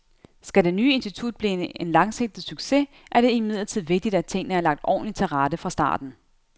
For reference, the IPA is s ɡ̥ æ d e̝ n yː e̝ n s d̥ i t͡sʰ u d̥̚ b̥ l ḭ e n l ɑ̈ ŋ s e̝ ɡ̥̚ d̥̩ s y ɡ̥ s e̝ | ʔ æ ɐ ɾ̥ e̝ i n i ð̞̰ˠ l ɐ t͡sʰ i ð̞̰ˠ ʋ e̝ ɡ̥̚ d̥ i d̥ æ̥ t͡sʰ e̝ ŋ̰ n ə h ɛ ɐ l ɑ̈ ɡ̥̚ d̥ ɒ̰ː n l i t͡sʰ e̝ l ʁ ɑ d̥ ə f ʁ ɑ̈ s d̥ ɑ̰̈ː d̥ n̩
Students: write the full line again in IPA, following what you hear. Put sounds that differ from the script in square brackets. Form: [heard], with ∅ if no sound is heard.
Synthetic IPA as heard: s ɡ̥ æ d e̝ n yː e̝ n s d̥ i t͡sʰ u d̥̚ b̥ l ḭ e n l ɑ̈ ŋ s e̝ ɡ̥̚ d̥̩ s y ɡ̥ s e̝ | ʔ æ ɐ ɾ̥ e̝ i [m] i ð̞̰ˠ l ɐ t͡sʰ i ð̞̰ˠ ʋ e̝ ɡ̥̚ d̥ i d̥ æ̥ t͡sʰ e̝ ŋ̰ n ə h [æ] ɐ l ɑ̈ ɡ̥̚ d̥ ɒ̰ː n l i t͡sʰ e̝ l ʁ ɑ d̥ ə f ʁ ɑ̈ s d̥ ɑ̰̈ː d̥ n̩